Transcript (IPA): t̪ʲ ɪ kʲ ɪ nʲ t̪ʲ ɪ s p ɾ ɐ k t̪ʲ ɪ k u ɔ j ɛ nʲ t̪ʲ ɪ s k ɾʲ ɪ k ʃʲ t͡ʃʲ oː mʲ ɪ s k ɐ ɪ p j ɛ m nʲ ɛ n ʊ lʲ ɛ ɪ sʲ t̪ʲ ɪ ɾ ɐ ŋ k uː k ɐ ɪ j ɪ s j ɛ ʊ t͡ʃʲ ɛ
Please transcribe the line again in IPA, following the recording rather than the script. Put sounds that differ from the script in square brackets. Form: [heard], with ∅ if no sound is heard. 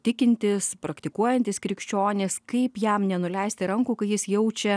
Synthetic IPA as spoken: t̪ʲ ɪ kʲ ɪ nʲ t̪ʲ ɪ s p ɾ ɐ k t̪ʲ ɪ k u ɔ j ɛ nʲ t̪ʲ ɪ s k ɾʲ ɪ k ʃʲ t͡ʃʲ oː [nʲ] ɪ s k ɐ ɪ p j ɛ m nʲ ɛ n ʊ lʲ ɛ ɪ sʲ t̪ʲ ɪ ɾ ɐ ŋ k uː k ɐ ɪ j ɪ s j ɛ ʊ t͡ʃʲ ɛ